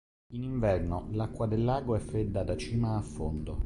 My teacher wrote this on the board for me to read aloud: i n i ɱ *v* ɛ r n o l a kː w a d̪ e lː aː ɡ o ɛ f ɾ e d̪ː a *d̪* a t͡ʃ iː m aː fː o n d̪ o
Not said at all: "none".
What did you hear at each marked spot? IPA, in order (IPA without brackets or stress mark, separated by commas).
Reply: v, d̪